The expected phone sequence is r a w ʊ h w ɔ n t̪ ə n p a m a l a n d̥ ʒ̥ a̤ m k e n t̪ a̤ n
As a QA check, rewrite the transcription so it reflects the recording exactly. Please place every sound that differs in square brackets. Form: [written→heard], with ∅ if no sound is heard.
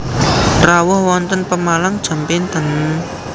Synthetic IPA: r a w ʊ h w ɔ n t̪ ə n p [a→ə] m a l a [n→ŋ] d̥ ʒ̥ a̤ m [k→p] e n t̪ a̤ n